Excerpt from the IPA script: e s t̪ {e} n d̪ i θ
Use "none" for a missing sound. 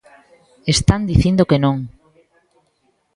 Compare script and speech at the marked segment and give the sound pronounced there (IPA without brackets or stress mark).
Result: a